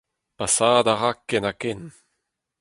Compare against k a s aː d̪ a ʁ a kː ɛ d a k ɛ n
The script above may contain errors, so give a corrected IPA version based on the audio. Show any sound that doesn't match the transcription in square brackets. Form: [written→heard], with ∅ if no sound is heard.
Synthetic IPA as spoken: [k→p] a s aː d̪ a ʁ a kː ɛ [d→n] a k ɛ n